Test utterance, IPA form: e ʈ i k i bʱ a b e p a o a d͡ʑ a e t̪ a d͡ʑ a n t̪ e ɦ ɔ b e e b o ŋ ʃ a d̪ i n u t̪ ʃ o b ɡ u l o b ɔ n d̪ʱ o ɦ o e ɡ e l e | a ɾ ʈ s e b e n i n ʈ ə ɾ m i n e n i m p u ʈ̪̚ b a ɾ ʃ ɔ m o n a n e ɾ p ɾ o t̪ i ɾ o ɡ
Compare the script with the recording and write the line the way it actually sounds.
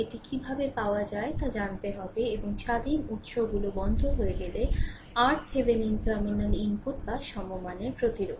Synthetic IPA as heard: e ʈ i k i bʱ a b e p a o a d͡ʑ a e t̪ a d͡ʑ a n t̪ e ɦ ɔ b e e b o ŋ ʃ a d̪ i n u t̪ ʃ o b ɡ u l o b ɔ n d̪ʱ o ɦ o e ɡ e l e | a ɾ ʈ s e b e n i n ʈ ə ɾ m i n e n i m p u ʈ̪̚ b a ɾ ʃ ɔ m o m a n e ɾ p ɾ o t̪ i ɾ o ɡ